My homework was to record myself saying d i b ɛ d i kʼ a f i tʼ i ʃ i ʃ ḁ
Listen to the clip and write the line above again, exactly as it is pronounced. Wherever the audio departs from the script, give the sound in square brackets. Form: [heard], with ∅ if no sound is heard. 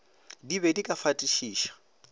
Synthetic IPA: d i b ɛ d i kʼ a f [a] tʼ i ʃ [iː] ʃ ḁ